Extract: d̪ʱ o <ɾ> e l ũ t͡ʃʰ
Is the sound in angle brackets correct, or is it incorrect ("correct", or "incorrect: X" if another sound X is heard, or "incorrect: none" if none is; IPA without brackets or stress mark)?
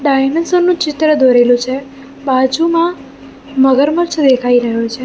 correct